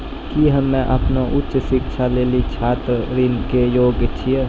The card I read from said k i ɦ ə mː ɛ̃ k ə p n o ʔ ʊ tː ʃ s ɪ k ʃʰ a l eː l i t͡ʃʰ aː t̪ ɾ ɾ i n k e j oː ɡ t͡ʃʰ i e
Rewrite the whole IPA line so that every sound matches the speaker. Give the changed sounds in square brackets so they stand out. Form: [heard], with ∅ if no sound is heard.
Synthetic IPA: k i ɦ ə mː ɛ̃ [ʔ] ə p n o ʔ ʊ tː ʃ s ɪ k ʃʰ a l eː l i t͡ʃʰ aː t̪ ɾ ɾ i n k e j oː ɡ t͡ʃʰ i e